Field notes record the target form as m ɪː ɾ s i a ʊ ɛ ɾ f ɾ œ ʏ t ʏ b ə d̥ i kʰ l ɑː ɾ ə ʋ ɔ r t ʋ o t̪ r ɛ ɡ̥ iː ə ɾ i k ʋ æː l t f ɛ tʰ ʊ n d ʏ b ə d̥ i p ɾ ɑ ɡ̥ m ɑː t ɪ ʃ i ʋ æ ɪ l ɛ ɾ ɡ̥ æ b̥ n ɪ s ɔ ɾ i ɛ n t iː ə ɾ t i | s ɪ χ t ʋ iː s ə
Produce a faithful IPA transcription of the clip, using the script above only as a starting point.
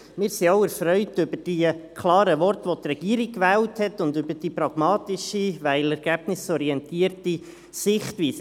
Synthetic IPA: m ɪː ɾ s i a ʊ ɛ ɾ f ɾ œ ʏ t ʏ b ə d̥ i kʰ l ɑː ɾ ə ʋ ɔ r t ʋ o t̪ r ɛ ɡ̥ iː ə ɾ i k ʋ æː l t h ɛ t ʊ n d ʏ b ə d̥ i p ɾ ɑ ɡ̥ m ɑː t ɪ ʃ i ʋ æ ɪ l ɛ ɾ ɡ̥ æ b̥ n ɪ s ɔ ɾ i ɛ n t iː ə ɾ t i | s ɪ χ t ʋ iː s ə